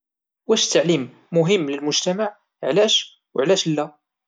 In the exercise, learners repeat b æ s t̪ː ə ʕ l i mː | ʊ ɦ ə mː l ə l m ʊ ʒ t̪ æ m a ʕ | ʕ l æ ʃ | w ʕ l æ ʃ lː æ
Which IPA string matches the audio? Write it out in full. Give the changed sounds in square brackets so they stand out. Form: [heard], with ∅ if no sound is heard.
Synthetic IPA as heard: [w] æ [ʃ] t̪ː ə ʕ l i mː | ʊ ɦ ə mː l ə l m ʊ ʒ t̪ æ m a ʕ | ʕ l æ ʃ | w ʕ l æ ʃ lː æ